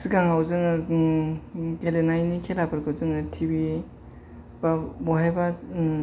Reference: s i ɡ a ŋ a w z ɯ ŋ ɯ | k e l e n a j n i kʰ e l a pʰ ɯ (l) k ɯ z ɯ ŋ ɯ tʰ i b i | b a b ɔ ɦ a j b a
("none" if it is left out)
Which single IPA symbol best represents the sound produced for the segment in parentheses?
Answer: ɾ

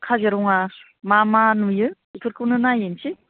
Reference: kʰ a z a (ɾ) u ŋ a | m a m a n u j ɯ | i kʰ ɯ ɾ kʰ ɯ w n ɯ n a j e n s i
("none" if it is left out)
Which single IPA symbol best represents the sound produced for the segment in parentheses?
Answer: ɾ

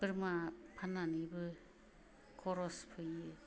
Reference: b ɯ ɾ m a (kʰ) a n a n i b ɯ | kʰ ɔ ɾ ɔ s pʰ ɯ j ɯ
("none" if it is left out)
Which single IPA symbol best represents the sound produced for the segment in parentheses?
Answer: pʰ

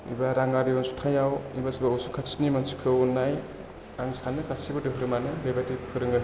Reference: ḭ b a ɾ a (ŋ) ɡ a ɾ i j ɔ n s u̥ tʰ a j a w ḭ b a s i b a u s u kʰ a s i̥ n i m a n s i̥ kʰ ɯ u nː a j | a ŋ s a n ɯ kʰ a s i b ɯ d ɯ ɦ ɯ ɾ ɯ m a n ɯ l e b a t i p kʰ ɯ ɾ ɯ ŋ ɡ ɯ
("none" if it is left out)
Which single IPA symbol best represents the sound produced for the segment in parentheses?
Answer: ŋ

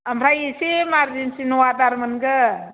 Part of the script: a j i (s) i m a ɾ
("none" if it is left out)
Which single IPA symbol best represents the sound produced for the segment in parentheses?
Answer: s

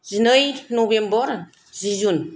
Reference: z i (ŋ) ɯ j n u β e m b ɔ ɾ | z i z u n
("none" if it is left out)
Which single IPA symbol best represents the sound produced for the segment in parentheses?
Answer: n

